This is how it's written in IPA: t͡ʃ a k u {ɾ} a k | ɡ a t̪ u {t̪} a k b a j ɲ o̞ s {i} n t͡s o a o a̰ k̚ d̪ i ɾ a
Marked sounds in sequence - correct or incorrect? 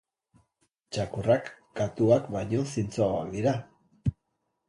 incorrect: r, incorrect: none, correct

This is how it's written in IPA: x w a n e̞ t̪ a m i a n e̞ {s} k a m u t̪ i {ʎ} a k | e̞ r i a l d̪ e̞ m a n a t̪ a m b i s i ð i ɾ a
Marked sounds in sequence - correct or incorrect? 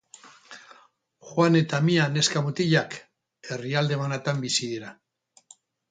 correct, correct

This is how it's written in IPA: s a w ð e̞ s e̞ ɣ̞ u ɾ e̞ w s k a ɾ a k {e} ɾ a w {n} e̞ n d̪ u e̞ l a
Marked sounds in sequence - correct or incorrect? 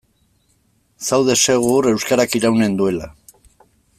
incorrect: i, correct

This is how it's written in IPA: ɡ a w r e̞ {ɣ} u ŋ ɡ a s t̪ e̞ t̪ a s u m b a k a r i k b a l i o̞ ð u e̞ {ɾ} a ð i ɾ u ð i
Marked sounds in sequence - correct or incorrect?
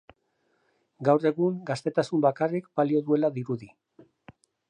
correct, incorrect: l

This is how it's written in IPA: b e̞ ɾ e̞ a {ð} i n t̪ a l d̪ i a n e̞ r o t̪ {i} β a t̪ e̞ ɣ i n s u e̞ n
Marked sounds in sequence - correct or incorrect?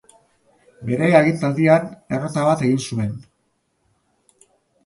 incorrect: ɣ, incorrect: a

